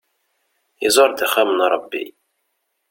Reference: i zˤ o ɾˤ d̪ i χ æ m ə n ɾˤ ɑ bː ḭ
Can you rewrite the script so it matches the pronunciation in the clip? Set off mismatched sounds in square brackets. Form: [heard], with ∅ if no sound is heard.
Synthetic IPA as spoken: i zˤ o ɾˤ d̪ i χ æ m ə n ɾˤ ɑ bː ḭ